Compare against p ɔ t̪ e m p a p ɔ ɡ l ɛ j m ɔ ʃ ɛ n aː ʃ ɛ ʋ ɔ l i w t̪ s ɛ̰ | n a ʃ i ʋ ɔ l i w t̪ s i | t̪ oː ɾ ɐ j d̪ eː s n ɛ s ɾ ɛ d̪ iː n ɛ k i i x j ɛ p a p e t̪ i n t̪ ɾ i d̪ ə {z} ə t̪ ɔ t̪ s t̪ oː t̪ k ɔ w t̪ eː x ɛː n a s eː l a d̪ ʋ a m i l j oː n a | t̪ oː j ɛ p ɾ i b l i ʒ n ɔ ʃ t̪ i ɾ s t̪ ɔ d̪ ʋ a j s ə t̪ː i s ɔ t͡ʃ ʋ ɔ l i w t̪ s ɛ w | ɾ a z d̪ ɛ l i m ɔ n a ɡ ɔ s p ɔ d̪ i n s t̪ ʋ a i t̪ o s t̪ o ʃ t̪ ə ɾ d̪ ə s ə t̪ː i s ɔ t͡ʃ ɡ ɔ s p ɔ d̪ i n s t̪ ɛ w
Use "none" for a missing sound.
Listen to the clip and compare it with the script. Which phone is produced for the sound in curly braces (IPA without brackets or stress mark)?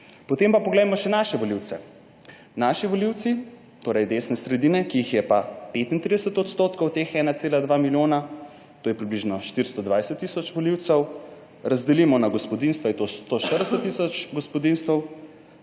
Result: s